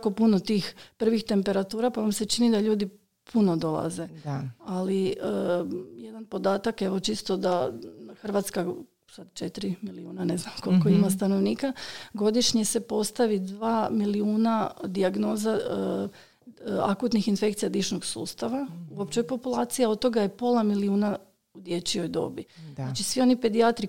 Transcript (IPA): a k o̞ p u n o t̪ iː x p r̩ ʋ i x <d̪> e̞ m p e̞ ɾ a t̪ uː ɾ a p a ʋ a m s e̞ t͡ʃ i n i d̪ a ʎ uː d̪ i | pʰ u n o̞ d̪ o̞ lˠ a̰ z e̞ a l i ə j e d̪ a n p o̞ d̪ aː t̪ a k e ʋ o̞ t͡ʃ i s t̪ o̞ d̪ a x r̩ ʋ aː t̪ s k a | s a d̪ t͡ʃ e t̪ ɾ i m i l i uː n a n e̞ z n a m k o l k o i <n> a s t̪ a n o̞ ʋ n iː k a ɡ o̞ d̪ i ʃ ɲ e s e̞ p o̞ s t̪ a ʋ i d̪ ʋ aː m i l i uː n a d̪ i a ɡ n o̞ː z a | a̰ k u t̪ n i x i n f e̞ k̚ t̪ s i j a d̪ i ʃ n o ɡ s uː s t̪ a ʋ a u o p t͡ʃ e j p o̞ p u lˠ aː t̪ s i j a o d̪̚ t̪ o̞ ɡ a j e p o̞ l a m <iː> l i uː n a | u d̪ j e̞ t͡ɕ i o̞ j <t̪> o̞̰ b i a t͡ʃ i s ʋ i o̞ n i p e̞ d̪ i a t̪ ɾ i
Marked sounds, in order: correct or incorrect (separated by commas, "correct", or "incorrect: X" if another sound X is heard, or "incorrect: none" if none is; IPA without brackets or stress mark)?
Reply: incorrect: t̪, incorrect: m, incorrect: i, incorrect: d̪